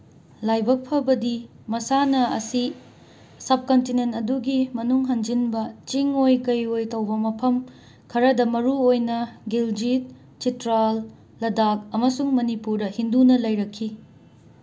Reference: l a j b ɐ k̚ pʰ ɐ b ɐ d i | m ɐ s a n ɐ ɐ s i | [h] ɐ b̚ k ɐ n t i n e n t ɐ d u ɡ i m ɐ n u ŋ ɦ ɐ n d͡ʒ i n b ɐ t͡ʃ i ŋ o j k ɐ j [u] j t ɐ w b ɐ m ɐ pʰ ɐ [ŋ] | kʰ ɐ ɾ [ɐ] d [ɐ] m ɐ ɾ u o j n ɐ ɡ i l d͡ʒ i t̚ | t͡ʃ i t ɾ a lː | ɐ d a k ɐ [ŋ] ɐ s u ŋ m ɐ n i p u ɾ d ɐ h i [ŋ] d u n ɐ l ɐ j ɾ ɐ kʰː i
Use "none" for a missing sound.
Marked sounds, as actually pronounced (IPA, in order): s, o, m, ɐ, ɐ, m, n

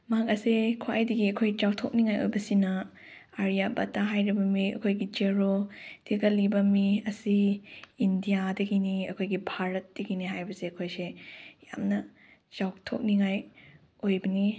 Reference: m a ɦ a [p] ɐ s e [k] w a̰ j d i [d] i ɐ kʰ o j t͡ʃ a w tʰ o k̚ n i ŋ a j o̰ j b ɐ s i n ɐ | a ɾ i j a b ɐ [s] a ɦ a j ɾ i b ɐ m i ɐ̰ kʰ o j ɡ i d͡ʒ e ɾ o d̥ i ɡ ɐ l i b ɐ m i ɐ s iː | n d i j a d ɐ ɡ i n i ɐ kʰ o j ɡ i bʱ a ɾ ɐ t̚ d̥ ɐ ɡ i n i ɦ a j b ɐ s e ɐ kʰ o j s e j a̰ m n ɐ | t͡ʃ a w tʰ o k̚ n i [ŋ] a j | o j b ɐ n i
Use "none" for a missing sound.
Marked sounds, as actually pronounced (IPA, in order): k, kʰ, ɡ, t, ŋ

